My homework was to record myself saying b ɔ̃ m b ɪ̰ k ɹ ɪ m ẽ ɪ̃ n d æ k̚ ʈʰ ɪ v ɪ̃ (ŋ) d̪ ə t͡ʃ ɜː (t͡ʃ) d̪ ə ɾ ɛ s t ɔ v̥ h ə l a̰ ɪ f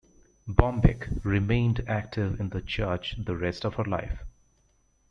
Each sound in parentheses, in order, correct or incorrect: incorrect: n, correct

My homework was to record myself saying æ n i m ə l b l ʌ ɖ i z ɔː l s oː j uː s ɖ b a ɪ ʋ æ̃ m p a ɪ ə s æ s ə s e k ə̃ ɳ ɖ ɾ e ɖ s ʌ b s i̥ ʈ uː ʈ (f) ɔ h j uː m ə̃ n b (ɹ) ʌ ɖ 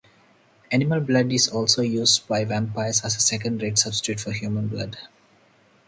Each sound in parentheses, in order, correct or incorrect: correct, incorrect: l

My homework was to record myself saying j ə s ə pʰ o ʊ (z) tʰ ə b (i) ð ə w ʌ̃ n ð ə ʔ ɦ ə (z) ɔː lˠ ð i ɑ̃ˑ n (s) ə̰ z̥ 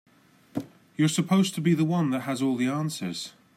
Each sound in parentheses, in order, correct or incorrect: correct, correct, correct, correct

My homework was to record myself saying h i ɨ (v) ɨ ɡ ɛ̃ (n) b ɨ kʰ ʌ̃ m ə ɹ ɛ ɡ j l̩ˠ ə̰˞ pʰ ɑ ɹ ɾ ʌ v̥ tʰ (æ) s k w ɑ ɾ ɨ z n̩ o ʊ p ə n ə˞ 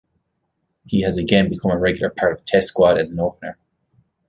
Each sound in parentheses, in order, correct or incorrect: incorrect: z, correct, incorrect: ɛ

